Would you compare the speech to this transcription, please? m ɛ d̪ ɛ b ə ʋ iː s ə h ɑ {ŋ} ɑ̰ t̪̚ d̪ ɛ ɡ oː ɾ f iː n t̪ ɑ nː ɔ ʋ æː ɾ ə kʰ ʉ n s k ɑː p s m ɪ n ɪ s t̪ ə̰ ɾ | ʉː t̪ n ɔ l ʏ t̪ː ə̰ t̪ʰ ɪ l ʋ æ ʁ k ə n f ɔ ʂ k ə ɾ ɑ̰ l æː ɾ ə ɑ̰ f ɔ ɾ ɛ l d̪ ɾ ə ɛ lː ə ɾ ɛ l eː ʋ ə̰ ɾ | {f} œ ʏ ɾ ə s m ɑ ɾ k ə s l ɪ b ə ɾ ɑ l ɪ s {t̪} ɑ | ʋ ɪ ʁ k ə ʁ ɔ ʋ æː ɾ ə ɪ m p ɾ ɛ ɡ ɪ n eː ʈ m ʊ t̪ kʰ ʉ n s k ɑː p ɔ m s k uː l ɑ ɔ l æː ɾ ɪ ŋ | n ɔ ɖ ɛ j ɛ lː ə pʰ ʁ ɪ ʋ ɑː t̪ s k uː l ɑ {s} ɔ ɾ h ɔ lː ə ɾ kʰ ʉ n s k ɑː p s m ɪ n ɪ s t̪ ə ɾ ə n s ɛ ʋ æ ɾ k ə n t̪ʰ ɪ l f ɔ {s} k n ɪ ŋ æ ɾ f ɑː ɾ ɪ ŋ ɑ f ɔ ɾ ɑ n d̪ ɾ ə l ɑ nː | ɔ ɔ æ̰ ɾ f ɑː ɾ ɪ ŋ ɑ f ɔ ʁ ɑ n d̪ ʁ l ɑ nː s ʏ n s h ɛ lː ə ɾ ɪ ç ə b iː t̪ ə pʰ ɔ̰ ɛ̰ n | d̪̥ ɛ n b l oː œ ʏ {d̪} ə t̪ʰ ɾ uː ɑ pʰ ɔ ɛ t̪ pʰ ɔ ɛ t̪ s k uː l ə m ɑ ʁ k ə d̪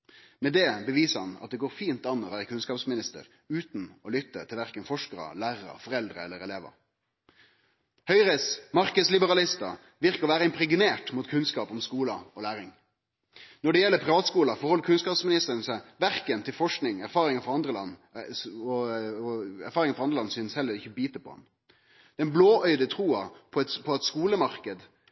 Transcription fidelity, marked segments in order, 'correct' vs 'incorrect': incorrect: n, incorrect: h, correct, incorrect: f, incorrect: ʂ, correct

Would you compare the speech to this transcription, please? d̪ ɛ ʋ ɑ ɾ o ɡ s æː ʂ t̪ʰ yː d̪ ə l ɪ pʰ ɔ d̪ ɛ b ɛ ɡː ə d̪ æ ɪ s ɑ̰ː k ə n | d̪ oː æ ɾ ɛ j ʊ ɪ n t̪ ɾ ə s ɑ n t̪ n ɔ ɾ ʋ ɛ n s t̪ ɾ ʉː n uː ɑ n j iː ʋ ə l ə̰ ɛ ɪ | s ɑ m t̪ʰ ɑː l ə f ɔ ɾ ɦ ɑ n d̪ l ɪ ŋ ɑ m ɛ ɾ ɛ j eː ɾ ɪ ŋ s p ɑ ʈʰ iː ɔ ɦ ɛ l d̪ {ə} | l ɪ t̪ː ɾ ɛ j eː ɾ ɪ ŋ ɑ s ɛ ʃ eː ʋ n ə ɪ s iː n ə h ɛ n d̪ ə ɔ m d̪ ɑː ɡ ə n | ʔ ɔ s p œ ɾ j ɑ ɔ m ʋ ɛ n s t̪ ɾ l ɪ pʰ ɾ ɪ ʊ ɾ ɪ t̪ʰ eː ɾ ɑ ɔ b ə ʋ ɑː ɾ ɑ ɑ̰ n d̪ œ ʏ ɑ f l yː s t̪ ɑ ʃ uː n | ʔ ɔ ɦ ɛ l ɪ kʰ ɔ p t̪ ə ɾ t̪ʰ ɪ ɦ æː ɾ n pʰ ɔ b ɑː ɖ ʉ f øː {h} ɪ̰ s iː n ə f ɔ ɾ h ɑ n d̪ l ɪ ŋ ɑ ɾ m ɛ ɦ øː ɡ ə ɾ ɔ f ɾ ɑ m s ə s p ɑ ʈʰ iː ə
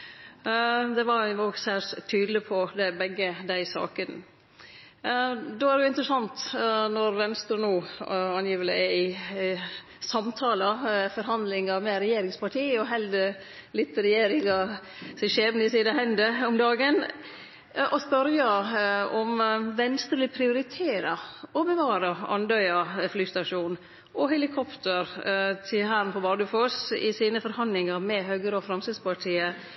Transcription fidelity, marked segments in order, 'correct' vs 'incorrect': correct, incorrect: s

